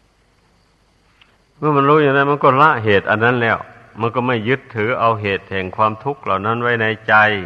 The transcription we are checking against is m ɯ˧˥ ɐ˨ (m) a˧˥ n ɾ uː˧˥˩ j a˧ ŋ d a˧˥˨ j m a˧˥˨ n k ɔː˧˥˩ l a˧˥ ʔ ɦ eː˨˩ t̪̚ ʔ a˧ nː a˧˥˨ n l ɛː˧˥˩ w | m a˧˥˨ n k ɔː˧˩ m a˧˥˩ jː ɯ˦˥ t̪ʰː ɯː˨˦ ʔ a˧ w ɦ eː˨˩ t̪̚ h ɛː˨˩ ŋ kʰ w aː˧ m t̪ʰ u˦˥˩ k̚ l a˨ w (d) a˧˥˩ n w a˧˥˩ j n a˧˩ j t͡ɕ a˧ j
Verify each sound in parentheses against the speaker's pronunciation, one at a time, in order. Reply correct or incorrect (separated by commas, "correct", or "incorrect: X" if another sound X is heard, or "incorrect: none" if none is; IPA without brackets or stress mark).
correct, incorrect: n